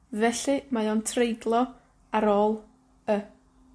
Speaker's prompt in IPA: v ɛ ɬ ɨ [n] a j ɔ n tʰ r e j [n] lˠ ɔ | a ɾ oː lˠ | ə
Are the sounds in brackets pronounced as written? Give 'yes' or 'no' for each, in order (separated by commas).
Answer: no, no